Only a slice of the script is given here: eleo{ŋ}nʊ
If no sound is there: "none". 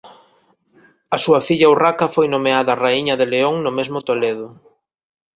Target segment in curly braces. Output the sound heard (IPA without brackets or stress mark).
ŋ